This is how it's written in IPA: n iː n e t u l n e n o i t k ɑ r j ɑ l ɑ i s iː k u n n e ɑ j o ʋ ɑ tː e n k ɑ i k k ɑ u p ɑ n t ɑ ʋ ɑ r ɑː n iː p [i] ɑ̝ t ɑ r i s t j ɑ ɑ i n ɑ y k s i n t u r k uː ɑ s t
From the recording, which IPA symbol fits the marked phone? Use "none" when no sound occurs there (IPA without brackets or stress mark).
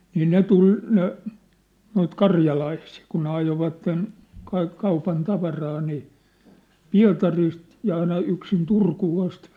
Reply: i